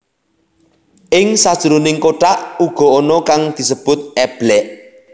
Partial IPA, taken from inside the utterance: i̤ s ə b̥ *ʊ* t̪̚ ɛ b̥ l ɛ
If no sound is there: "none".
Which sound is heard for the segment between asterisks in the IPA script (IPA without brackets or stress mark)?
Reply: ʊ